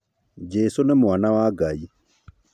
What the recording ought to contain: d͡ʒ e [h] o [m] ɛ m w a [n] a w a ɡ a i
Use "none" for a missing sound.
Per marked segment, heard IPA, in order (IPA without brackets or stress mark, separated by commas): s, n, n